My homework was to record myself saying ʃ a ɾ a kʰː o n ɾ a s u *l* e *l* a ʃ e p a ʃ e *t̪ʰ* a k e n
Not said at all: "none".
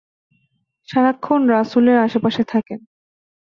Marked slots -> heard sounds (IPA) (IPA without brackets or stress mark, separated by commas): l, ɾ, t̪ʰ